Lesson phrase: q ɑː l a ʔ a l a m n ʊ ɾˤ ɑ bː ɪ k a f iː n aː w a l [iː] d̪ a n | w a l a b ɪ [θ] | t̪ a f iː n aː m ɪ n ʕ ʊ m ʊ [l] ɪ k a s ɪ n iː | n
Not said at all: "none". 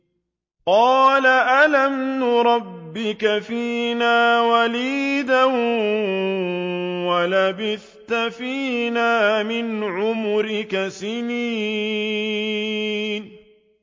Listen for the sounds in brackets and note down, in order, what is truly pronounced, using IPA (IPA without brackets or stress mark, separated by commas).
iː, θ, ɾ